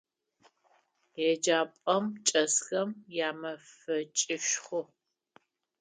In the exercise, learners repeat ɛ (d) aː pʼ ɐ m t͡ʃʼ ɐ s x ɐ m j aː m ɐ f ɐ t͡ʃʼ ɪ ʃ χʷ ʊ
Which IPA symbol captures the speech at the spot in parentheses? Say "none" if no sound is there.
d͡ʒ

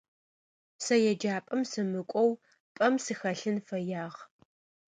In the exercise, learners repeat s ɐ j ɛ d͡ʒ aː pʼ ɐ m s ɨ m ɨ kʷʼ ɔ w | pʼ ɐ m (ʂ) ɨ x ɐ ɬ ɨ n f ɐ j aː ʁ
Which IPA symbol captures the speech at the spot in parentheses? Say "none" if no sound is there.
s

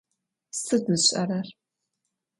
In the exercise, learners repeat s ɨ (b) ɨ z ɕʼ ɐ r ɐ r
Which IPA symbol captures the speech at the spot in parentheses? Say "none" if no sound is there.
d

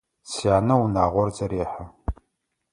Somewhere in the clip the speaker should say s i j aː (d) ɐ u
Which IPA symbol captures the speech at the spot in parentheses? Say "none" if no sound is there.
n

